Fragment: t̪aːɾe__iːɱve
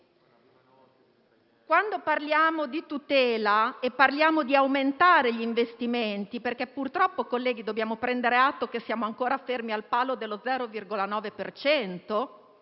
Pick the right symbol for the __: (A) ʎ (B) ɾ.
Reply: A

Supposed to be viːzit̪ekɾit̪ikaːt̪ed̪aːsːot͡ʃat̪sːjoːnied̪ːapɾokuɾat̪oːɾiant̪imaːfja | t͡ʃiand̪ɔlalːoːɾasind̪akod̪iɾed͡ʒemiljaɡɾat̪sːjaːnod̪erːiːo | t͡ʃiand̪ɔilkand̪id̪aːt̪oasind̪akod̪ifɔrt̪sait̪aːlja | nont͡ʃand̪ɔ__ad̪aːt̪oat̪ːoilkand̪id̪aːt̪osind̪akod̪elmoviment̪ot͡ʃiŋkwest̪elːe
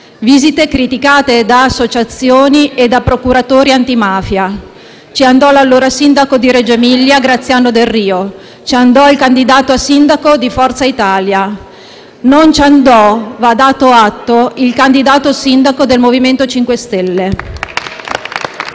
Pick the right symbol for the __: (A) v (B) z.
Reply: A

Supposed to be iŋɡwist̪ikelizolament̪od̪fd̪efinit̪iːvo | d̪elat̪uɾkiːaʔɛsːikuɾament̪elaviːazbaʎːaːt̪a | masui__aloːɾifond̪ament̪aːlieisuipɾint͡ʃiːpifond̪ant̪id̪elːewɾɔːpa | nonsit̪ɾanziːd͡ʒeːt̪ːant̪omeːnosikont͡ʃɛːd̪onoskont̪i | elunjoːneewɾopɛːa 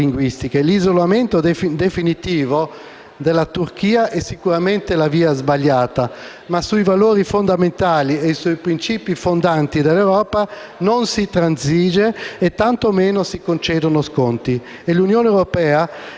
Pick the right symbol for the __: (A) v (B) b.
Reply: A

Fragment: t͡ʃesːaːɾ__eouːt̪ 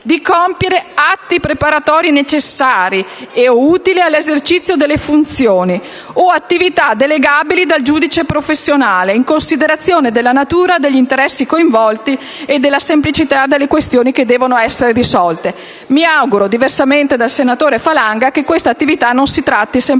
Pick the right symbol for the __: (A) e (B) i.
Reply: B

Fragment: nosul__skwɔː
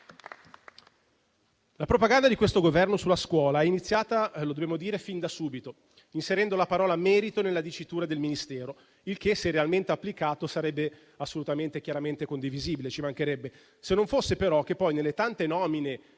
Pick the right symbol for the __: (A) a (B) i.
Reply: A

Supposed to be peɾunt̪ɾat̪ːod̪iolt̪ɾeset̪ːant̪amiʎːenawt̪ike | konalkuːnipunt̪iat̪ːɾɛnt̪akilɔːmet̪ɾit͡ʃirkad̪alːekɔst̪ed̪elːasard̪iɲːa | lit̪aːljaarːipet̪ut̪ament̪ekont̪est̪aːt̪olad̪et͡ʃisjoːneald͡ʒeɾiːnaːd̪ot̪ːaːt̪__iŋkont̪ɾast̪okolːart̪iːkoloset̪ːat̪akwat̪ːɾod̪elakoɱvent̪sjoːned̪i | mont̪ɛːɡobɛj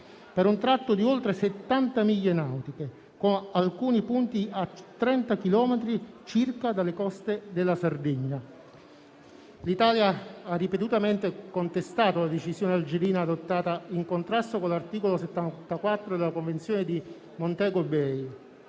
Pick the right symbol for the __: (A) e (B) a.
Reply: B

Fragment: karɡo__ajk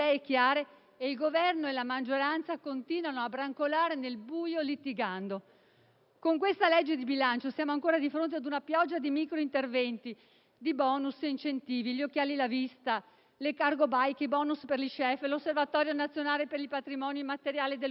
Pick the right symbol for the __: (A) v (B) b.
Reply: B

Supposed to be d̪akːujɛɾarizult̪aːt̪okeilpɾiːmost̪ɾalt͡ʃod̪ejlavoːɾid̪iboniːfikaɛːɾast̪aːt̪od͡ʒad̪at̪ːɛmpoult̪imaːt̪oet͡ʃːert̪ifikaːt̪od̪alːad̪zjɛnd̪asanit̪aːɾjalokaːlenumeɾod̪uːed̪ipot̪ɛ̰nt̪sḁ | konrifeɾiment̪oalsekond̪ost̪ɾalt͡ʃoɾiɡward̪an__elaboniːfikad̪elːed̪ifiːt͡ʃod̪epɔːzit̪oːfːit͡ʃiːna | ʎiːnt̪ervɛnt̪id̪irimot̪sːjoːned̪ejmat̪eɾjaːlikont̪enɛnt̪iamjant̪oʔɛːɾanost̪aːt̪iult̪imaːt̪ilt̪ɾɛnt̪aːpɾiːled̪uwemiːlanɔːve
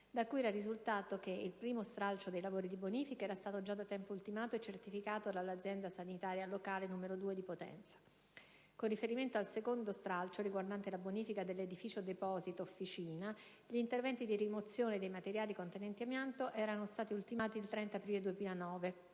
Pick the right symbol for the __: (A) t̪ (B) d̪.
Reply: A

